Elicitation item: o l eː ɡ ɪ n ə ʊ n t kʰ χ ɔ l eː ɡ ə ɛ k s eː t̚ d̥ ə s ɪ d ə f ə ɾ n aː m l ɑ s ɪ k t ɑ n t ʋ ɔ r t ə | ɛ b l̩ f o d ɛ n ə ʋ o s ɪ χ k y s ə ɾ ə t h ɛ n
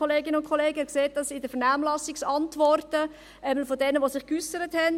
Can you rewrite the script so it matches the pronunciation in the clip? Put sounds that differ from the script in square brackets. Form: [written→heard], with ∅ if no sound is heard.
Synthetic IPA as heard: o l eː ɡ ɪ n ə ʊ n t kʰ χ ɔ l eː ɡ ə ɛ k s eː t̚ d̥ [ə→ɑ] s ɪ d ə f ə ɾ n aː m l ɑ s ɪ k [t→s] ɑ n t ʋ ɔ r t ə | ɛ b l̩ f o d ɛ n ə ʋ o s ɪ χ k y s ə ɾ ə t h ɛ n